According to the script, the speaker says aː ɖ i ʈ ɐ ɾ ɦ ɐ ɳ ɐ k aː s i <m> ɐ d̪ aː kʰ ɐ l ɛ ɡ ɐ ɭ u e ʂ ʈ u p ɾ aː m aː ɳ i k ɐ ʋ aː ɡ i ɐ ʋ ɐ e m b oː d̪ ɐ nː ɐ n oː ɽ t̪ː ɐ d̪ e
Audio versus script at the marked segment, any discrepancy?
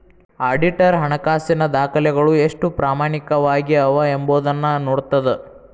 yes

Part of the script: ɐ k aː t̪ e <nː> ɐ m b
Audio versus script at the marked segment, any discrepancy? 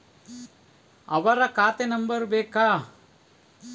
yes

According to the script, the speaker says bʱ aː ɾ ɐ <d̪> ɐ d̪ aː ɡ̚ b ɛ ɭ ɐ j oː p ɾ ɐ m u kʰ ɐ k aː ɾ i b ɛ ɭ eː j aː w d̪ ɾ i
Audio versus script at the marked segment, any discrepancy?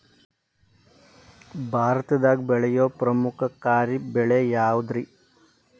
yes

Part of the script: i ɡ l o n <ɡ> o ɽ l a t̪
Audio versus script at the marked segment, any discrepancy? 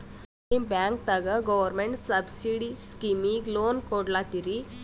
yes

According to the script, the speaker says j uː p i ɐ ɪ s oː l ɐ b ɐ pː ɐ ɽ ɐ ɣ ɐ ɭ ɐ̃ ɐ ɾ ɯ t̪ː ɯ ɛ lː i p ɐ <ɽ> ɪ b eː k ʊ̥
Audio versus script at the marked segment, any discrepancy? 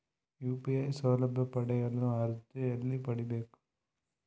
no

